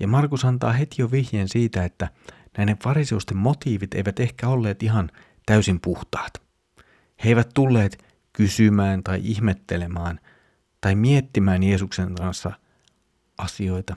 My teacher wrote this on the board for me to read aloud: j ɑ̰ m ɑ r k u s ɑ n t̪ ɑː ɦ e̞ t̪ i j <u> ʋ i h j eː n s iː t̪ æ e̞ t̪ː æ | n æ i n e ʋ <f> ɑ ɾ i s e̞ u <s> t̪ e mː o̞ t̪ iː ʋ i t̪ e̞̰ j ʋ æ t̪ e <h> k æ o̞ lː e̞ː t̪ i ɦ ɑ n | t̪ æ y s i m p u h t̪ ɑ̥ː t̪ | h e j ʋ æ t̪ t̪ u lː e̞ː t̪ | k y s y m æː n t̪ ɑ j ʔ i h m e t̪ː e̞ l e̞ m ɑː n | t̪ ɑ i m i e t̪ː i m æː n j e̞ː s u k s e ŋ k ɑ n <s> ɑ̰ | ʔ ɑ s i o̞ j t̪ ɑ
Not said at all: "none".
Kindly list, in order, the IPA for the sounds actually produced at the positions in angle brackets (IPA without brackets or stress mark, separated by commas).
o, f, s, h, sː